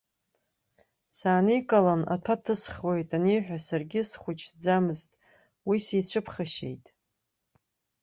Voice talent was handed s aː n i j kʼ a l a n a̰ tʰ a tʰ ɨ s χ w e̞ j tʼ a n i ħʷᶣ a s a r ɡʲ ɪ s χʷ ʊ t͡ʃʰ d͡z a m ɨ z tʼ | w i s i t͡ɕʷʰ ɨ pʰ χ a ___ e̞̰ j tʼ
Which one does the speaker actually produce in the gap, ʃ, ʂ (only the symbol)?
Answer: ʃ